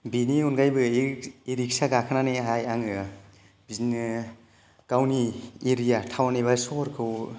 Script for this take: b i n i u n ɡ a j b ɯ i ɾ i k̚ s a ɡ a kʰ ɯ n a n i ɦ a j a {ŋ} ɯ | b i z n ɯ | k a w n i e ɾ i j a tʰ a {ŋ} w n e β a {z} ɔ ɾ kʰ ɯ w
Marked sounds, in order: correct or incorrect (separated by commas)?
correct, incorrect, incorrect